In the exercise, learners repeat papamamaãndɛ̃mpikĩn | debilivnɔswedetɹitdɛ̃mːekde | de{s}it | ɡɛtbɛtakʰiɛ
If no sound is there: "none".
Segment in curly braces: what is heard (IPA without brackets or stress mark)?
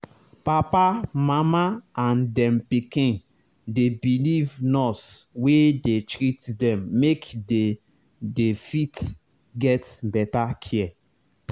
f